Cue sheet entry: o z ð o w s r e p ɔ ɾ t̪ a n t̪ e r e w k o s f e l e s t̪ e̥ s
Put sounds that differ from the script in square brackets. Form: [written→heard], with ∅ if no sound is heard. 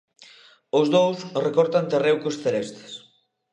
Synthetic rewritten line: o z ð o w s r e [p→k] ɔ ɾ t̪ a n t̪ e r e w k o s [f→θ] e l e s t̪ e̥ s